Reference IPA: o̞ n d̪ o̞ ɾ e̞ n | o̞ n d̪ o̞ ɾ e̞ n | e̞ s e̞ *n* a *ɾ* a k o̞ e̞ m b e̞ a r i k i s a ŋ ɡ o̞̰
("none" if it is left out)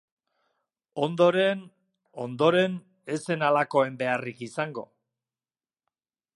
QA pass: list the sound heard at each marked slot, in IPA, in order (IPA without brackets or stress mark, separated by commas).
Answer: n, l